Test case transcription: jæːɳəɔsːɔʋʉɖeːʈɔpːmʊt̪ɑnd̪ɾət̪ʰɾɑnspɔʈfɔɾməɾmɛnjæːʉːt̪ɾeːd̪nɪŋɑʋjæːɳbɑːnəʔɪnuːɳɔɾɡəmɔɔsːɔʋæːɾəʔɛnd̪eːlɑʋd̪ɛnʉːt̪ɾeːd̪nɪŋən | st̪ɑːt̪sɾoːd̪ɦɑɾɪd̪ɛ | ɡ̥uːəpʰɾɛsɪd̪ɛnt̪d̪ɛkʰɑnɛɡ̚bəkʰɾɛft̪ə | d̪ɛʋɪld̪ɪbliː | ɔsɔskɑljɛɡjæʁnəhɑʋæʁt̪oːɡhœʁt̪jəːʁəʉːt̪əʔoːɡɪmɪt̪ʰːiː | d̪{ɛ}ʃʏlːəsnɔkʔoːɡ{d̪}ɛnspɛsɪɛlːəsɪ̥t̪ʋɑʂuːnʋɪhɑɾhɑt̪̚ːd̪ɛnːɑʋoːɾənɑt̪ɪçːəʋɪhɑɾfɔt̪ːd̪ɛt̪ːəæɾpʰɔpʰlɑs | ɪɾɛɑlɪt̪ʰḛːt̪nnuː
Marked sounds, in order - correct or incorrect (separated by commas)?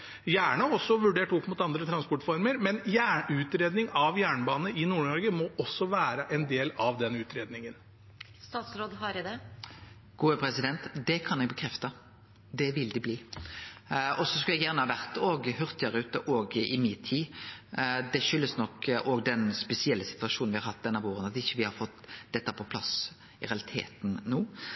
correct, correct